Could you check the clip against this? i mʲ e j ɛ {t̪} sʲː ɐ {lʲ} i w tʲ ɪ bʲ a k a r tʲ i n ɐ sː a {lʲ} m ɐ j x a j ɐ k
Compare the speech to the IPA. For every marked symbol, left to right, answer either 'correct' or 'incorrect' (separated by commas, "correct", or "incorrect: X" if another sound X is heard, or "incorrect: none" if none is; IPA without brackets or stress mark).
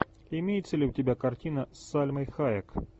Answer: correct, correct, correct